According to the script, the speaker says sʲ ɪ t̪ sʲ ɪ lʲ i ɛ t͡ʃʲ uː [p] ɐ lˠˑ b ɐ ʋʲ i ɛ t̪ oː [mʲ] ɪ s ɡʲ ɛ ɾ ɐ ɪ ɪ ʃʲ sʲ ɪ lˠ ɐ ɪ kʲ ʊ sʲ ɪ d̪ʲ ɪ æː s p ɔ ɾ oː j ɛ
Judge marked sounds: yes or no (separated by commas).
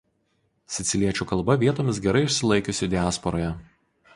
no, yes